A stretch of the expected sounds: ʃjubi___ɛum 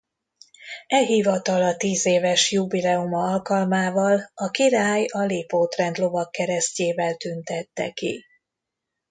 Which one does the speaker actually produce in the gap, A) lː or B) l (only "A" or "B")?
B